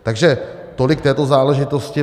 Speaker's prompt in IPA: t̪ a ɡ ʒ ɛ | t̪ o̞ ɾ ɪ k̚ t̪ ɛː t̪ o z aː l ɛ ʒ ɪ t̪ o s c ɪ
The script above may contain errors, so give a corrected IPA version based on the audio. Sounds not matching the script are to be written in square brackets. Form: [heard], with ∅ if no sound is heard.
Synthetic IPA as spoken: t̪ a ɡ ʒ ɛ | t̪ o̞ [l] ɪ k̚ t̪ ɛː t̪ o z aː l ɛ ʒ ɪ t̪ o s c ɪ